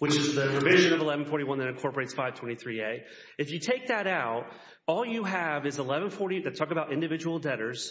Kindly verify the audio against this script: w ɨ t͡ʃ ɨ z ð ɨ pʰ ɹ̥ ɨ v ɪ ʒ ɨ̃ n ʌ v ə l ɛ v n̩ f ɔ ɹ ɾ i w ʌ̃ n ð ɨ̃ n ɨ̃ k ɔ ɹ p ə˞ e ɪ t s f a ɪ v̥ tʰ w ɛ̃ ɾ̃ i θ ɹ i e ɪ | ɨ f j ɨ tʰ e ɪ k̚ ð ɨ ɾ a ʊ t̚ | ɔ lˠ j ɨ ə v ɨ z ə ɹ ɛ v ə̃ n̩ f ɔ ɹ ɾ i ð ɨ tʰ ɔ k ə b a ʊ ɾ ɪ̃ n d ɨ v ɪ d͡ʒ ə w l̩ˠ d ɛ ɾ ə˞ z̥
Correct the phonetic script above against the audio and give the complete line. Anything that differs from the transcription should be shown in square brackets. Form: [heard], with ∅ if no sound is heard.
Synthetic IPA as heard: w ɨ t͡ʃ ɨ z ð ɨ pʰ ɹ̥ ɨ v ɪ ʒ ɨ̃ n ʌ v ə l ɛ v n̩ f ɔ ɹ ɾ i w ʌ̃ n ð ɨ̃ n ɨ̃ [kʰ] ɔ ɹ p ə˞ e ɪ t s f a ɪ v̥ tʰ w ɛ̃ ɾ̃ i θ ɹ i e ɪ | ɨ f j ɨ tʰ e ɪ k̚ ð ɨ ɾ a ʊ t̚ | ɔ lˠ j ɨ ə v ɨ z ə [l] ɛ v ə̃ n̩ f ɔ ɹ ɾ i ð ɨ tʰ ɔ k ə b a ʊ ɾ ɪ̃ n d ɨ v ɪ d͡ʒ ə w l̩ˠ d ɛ ɾ ə˞ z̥